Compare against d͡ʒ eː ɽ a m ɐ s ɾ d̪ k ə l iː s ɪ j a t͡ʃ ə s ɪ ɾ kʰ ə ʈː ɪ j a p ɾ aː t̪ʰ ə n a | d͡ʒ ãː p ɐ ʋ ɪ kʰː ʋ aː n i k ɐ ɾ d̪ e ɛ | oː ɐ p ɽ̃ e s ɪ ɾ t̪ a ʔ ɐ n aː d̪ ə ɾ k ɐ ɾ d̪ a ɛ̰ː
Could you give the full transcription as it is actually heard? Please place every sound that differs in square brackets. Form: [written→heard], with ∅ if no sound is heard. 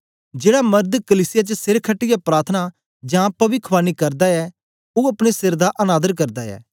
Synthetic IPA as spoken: d͡ʒ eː ɽ a m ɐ [s→∅] ɾ d̪ k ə l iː s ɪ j a t͡ʃ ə s ɪ ɾ kʰ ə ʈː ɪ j a p ɾ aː t̪ʰ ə n a | d͡ʒ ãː p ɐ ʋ ɪ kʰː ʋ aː n i k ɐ ɾ d̪ [e→a] ɛ | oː ɐ p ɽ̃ e s ɪ ɾ [t̪→d̪] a ʔ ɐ n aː d̪ ə ɾ k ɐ ɾ d̪ a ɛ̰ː